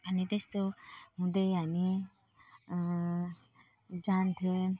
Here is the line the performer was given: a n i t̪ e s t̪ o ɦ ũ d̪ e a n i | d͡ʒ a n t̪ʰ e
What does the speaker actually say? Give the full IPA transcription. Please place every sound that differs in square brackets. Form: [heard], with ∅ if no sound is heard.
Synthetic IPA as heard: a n i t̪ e s t̪ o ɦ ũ d̪ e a n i | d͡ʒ a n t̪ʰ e